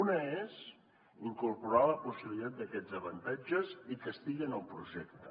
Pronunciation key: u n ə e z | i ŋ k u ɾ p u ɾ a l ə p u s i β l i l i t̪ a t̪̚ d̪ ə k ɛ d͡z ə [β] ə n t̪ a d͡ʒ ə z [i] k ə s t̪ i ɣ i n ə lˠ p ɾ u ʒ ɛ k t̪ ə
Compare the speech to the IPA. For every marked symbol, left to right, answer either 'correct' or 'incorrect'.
correct, correct

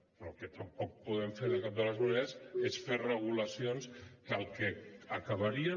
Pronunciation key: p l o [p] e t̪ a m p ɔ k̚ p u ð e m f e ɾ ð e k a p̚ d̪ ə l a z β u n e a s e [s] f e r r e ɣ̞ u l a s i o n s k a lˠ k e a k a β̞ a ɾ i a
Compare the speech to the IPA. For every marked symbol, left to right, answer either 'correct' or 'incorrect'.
incorrect: k, correct

